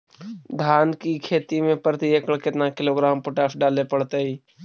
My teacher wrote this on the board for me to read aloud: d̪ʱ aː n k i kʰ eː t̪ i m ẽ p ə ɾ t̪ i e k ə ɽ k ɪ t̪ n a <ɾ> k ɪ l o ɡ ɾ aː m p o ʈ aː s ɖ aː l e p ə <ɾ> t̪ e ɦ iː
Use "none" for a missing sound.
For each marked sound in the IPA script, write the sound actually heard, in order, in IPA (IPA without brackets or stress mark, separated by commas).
none, ɽ